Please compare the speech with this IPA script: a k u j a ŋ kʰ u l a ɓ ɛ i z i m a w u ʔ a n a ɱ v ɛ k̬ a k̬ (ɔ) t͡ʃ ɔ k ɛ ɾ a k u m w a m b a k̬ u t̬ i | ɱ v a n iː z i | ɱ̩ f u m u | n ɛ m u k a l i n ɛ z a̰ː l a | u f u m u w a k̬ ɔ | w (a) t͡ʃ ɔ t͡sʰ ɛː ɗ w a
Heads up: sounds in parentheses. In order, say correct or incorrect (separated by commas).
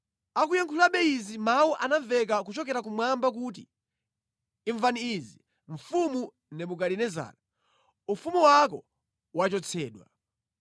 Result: incorrect, correct